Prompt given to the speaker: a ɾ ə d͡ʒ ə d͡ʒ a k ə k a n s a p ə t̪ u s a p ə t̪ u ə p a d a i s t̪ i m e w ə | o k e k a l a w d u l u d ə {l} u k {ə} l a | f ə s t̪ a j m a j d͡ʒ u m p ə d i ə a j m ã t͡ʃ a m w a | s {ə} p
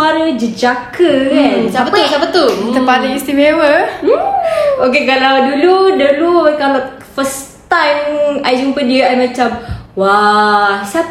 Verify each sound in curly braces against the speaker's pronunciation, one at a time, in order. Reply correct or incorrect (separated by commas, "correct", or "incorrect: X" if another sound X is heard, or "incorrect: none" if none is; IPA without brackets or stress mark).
correct, incorrect: a, incorrect: a